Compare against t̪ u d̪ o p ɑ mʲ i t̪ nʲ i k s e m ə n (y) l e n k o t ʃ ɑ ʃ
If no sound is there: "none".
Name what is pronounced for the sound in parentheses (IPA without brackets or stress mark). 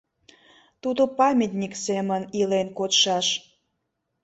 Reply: i